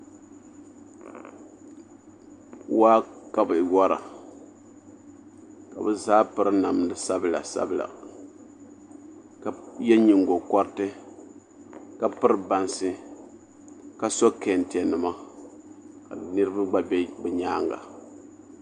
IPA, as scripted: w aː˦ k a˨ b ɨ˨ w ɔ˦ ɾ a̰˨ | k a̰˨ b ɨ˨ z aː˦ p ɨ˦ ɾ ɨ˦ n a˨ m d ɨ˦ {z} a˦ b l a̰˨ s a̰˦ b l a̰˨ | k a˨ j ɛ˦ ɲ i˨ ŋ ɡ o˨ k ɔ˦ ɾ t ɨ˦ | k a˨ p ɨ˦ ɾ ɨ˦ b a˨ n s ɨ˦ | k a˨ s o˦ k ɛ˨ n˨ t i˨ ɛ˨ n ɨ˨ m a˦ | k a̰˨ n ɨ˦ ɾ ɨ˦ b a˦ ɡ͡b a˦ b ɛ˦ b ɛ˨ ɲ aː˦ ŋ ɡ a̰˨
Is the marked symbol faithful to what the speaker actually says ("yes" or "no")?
no